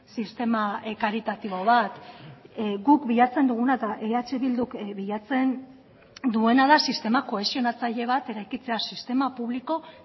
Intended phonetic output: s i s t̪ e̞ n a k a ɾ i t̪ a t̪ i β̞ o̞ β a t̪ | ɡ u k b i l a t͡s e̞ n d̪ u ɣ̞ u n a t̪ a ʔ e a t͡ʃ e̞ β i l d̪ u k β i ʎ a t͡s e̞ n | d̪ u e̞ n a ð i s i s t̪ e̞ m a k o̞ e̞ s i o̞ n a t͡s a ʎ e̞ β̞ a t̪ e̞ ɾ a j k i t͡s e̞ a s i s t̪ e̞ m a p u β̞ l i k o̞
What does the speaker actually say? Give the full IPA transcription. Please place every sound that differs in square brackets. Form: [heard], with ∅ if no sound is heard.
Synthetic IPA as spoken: s i s t̪ e̞ [m] a k a ɾ i t̪ a t̪ i β̞ o̞ β a t̪ | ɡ u k b i [ʎ] a t͡s e̞ n d̪ u ɣ̞ u n a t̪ a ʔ e a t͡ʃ e̞ β i l d̪ u k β i ʎ a t͡s e̞ n | d̪ u e̞ n a ð [a] s i s t̪ e̞ m a k o̞ e̞ s i o̞ n a t͡s a ʎ e̞ β̞ a t̪ e̞ ɾ a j k i t͡s e̞ a s i s t̪ e̞ m a p u β̞ l i k o̞